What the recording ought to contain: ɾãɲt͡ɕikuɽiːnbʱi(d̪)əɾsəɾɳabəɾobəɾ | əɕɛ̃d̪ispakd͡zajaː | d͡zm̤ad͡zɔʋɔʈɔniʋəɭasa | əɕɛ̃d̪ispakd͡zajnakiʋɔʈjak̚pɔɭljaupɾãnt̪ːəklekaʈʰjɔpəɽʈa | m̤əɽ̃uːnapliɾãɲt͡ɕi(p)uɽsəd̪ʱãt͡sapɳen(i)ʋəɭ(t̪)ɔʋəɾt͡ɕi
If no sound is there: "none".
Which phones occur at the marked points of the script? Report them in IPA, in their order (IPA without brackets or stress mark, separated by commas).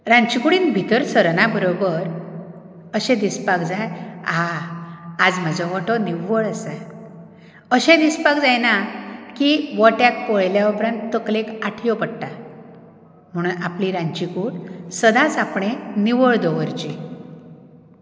t̪, k, i, d̪